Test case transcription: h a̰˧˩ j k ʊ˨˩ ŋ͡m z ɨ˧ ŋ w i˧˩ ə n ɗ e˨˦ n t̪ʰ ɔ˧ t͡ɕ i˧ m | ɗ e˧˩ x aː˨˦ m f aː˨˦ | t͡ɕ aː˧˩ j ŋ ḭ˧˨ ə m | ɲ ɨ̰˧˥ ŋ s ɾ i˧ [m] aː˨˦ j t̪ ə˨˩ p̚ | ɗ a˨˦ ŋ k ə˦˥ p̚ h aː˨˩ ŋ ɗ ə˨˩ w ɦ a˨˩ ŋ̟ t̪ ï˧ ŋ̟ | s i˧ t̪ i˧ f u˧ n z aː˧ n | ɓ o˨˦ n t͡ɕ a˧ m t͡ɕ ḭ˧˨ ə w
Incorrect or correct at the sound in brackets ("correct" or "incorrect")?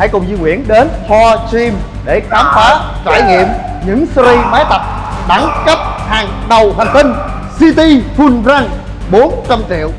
correct